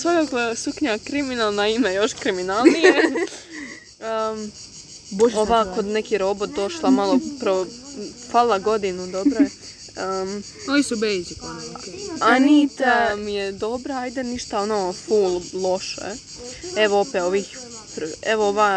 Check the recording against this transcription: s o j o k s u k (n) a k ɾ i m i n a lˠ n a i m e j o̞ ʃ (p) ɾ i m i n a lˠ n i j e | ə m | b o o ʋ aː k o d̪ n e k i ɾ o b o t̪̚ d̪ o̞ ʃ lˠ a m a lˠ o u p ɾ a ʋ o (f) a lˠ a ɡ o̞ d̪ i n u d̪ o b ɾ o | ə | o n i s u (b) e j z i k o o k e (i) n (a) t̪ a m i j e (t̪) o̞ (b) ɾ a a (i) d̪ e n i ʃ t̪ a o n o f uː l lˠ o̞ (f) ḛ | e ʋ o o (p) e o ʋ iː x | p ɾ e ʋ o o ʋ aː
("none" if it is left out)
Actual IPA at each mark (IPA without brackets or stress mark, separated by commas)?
ɲ, k, f, b, a, i, d̪, b, j, ʃ, p